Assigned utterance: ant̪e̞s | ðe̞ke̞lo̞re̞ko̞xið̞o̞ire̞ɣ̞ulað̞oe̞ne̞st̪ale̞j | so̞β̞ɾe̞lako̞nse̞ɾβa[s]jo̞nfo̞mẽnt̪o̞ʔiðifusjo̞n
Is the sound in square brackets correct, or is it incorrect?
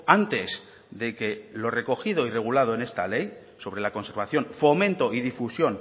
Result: incorrect